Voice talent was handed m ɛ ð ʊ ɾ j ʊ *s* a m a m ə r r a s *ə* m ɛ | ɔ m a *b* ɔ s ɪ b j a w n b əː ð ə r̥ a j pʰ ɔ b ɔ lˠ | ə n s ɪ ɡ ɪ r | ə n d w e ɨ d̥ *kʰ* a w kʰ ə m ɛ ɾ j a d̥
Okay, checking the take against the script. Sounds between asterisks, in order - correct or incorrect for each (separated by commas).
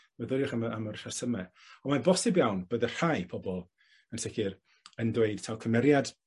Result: incorrect, correct, correct, incorrect